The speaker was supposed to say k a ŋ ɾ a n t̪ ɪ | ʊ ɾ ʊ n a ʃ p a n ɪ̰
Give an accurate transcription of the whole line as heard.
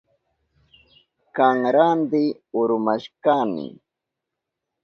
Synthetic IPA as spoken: k a ŋ ɾ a n d̪ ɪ | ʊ ɾ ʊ m a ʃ k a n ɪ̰

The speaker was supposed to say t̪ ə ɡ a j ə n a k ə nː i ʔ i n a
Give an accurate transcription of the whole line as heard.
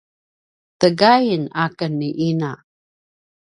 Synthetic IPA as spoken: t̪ ə ɡ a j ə n a k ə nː i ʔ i n a

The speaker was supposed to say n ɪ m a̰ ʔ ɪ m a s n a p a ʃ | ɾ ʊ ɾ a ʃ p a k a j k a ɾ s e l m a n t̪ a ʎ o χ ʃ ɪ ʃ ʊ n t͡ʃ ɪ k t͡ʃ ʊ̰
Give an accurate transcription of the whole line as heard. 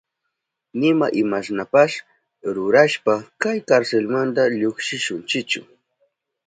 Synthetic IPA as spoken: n ɪ m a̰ ʔ ɪ m a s n a p a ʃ | ɾ ʊ ɾ a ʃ p a k a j k a ɾ s e l m a n t̪ a ʎ o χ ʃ ɪ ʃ ʊ n t͡ʃ ɪ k t͡ʃ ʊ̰

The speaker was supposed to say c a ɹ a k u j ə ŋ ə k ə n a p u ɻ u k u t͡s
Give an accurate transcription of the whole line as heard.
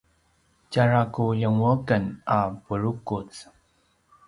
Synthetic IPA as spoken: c a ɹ a k u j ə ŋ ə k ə n a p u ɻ u k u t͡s

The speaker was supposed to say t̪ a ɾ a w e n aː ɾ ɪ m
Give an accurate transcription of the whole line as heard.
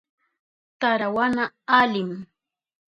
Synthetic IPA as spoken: t̪ a ɾ a w a n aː l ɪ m

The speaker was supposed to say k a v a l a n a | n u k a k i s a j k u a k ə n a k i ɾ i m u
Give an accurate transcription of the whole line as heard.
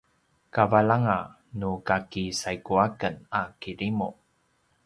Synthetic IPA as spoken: k a v a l a ŋ a | n u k a k i s a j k u a k ə n a k i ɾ i m u

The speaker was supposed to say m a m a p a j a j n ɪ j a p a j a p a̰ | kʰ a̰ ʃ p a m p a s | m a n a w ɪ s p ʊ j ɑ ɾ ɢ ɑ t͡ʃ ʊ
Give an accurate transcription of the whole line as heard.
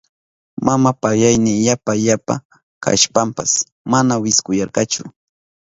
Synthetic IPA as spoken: m a m a p a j a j n ɪ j a p a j a p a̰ | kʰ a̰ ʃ p a m p a s | m a n a w ɪ s k ʊ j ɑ ɾ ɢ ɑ t͡ʃ ʊ

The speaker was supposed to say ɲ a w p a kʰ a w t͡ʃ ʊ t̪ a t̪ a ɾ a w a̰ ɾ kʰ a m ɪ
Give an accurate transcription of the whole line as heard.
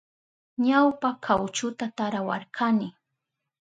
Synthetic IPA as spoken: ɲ a w p a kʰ a w t͡ʃ ʊ t̪ a t̪ a ɾ a w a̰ ɾ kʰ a n ɪ

